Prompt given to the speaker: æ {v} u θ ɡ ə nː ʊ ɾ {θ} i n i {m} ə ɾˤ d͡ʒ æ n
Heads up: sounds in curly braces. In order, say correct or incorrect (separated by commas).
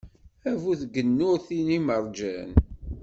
correct, correct, correct